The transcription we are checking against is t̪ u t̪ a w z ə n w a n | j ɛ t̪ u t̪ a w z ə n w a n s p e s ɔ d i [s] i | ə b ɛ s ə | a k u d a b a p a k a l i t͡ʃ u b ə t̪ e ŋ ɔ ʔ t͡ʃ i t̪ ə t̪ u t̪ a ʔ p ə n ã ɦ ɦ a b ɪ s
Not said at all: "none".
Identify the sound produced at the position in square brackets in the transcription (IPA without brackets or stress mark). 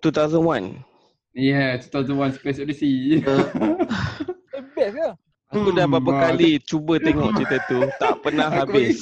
s